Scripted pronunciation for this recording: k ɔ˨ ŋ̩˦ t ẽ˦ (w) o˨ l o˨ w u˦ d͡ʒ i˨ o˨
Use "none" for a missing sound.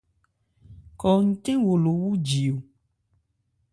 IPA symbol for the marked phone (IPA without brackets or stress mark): w